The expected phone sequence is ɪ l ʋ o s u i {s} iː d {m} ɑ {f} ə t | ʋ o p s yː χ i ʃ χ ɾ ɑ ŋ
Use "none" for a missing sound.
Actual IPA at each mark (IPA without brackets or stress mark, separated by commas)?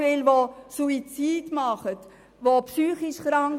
t͡s, m, χ